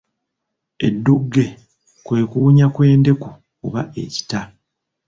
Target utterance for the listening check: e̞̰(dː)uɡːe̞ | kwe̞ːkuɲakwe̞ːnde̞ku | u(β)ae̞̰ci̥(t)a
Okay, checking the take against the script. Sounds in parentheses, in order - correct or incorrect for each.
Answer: correct, correct, correct

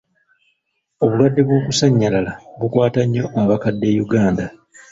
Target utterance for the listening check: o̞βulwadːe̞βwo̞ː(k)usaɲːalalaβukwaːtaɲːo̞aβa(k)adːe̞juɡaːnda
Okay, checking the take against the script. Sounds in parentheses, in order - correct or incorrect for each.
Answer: correct, correct

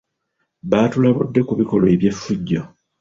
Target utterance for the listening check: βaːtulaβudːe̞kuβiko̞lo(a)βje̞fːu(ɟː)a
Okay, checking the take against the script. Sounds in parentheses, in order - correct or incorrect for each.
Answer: incorrect, correct

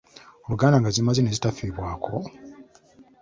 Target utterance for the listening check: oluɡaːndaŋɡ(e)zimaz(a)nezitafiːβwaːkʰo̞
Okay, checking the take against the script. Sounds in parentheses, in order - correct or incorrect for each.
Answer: incorrect, incorrect

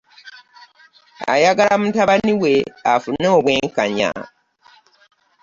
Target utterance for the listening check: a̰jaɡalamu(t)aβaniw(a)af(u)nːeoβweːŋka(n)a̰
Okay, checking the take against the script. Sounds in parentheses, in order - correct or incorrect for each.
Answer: correct, incorrect, correct, incorrect

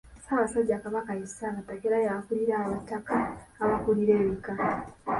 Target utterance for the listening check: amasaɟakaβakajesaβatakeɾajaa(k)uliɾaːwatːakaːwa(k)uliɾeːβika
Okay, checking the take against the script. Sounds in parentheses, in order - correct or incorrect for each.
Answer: correct, correct

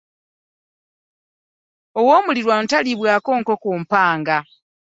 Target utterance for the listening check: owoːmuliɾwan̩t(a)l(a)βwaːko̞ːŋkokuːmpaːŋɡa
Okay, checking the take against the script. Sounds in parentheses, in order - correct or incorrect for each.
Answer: correct, incorrect

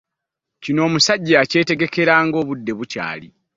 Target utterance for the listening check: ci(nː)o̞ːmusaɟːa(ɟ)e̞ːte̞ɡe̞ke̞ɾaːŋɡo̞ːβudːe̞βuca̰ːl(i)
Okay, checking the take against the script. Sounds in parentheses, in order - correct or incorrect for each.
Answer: incorrect, incorrect, correct

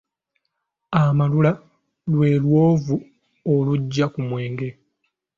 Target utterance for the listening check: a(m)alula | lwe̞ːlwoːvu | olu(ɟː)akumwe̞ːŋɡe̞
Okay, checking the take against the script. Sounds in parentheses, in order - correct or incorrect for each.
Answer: correct, correct

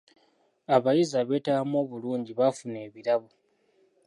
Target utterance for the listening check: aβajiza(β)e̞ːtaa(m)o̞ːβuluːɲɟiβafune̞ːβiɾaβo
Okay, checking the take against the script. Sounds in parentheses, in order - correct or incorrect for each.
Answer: correct, correct

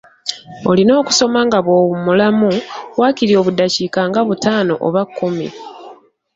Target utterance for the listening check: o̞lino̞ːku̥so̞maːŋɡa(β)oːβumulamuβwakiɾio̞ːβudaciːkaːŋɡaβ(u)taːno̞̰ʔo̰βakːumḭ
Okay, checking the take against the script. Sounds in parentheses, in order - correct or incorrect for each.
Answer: correct, correct

